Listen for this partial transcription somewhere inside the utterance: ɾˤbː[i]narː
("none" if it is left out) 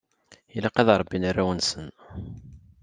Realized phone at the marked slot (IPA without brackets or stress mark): i